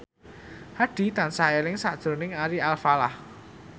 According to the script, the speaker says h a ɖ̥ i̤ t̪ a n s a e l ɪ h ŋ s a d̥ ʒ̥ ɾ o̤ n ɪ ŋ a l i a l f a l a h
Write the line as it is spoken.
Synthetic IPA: h a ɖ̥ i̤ t̪ a n s a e l ɪ ŋ s a d̥ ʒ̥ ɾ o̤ n ɪ ŋ a ɾ i a l f a l a h